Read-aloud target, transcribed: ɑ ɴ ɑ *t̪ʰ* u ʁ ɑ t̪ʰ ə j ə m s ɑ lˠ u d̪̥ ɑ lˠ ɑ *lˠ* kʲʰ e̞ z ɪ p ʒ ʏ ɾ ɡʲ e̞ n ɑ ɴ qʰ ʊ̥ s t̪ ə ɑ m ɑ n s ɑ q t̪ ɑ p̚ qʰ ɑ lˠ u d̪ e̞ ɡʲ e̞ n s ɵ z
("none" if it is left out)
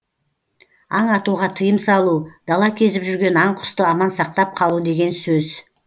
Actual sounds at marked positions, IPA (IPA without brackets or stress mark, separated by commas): t̪, none